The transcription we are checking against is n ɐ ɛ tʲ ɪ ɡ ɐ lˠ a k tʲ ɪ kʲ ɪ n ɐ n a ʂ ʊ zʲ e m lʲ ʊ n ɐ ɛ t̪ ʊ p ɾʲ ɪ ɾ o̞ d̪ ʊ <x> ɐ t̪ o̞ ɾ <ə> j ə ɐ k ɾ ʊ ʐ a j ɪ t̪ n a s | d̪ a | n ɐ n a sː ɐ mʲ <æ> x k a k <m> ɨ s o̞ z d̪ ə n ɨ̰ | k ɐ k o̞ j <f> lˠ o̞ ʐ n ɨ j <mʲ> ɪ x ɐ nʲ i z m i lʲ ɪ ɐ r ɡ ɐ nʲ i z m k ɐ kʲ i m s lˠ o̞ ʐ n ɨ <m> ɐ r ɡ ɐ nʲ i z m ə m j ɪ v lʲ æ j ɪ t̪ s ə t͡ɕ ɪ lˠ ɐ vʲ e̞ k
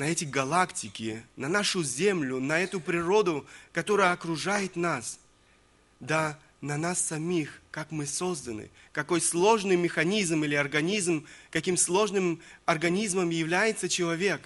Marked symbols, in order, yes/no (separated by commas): no, yes, no, yes, no, yes, yes